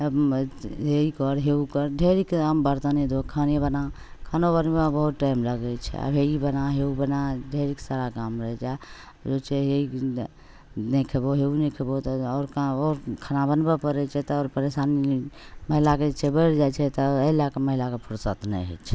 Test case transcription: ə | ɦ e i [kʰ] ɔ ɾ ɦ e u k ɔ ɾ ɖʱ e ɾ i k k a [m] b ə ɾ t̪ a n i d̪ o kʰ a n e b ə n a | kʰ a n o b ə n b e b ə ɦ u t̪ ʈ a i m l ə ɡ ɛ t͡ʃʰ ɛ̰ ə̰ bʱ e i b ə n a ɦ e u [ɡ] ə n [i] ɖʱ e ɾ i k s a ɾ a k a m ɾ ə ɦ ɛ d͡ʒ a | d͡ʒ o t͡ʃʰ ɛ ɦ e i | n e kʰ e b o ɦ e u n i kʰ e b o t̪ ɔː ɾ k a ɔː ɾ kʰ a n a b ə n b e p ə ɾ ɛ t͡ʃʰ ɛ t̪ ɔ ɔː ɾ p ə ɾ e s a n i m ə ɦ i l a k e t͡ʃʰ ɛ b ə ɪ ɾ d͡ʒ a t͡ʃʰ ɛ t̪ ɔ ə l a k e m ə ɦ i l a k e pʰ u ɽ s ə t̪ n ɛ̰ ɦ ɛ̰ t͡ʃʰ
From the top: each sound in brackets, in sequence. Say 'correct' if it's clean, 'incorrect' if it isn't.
incorrect: k, correct, incorrect: b, incorrect: a

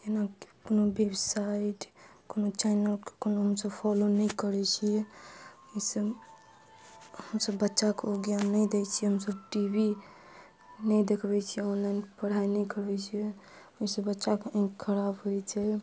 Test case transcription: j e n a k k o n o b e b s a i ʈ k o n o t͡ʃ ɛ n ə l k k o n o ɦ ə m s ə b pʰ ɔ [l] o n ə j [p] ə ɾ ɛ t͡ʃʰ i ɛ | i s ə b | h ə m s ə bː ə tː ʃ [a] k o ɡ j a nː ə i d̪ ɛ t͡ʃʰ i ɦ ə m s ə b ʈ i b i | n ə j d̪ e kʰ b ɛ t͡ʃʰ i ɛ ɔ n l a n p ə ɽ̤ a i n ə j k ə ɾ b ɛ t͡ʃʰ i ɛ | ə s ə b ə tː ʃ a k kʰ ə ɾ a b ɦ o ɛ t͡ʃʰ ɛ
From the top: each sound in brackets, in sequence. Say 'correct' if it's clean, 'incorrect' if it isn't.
correct, incorrect: k, correct

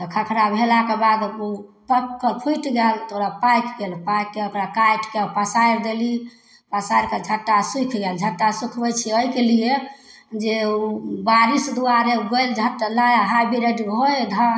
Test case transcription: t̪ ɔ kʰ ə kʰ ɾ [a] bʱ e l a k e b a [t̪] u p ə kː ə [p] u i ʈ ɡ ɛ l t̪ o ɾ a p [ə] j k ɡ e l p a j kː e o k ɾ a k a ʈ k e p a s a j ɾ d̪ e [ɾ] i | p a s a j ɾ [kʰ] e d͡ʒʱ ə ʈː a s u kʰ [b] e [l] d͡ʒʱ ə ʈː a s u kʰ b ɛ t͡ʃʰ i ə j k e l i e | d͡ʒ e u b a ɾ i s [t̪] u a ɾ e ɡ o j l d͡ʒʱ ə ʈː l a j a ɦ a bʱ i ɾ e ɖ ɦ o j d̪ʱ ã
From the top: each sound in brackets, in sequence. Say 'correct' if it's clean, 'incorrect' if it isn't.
correct, incorrect: d̪, incorrect: pʰ, incorrect: a, incorrect: l, incorrect: k, incorrect: ɡ, correct, incorrect: d̪

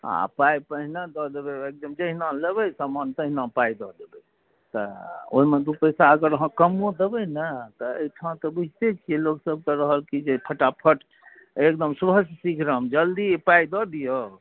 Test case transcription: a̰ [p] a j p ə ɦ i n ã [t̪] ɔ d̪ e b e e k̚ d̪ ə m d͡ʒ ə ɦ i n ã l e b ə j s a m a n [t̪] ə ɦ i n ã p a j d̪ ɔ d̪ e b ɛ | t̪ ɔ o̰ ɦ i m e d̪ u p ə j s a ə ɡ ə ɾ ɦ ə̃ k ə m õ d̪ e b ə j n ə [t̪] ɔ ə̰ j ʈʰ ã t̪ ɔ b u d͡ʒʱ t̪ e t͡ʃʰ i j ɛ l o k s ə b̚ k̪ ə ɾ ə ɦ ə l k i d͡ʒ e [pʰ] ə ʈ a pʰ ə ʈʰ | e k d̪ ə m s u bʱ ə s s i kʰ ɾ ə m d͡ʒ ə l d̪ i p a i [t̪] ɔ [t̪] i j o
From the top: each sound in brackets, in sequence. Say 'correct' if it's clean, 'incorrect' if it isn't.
correct, incorrect: d̪, correct, correct, correct, incorrect: d̪, incorrect: d̪

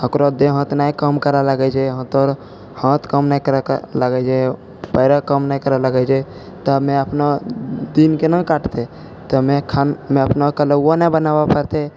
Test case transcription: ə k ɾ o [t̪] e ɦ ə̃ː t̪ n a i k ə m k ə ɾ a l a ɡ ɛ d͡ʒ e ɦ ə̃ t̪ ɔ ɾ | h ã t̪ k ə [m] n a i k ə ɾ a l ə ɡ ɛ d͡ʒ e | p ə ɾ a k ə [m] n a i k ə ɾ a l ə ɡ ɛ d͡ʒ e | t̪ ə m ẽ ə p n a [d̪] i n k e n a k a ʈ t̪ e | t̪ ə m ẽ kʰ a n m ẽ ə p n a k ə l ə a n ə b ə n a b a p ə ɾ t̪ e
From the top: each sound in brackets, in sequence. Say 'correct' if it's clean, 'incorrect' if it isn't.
incorrect: d̪, correct, correct, correct

